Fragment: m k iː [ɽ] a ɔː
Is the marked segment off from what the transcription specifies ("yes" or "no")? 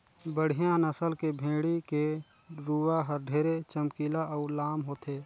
yes